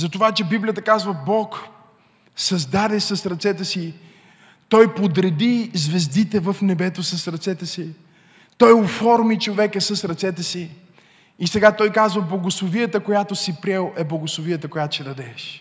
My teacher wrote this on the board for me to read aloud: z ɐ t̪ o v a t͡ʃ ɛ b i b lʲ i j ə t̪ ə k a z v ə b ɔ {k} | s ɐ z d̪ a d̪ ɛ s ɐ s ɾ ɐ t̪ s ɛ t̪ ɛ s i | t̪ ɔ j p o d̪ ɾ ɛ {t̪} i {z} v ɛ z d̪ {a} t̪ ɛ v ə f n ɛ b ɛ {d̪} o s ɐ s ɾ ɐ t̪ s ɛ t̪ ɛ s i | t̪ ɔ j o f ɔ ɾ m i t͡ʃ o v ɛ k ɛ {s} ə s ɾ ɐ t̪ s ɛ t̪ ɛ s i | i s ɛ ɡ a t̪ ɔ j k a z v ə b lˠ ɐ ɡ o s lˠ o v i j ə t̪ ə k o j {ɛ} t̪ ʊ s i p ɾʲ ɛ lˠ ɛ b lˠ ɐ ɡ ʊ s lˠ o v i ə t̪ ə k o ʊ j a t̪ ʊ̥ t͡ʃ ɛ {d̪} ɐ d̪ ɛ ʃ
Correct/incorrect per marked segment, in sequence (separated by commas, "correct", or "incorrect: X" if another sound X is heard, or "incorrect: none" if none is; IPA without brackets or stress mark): correct, incorrect: d̪, correct, incorrect: i, incorrect: t̪, correct, incorrect: a, correct